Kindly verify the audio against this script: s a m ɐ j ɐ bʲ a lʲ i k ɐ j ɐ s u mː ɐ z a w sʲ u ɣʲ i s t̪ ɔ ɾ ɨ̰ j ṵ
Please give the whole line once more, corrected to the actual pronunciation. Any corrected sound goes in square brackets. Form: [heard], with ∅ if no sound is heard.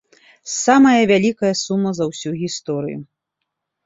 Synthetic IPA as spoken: s a m ɐ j ɐ [vʲ] a lʲ i k ɐ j ɐ s u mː ɐ z [ɐ] w sʲ u ɣʲ i s t̪ ɔ ɾ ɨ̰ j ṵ